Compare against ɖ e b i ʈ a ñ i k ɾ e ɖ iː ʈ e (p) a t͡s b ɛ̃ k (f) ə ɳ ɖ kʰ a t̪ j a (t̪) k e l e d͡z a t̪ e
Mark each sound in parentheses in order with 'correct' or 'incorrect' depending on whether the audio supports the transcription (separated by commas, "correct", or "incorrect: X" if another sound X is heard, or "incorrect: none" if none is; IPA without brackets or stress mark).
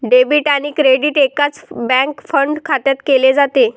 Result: incorrect: k, correct, correct